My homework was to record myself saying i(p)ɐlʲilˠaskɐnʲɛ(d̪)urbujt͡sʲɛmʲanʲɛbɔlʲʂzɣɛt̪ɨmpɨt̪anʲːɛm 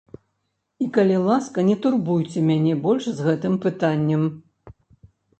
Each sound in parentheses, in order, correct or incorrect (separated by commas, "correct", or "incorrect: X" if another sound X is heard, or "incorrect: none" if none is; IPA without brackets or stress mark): incorrect: k, incorrect: t̪